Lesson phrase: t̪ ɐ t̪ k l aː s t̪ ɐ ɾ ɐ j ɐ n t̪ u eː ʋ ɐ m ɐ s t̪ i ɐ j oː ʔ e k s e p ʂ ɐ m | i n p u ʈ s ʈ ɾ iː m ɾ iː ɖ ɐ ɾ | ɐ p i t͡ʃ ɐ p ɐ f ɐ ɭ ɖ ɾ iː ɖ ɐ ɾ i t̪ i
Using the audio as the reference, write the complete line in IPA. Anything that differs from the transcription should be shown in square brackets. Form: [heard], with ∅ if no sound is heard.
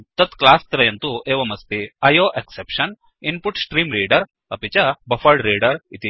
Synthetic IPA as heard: t̪ ɐ t̪ k l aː s t̪ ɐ ɾ ɐ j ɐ n t̪ u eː ʋ ɐ m ɐ s t̪ i ɐ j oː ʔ e k s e p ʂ ɐ [n] | i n p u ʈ s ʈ ɾ iː m ɾ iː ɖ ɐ ɾ | ɐ p i t͡ʃ ɐ [b] ɐ f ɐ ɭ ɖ ɾ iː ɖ ɐ ɾ i t̪ i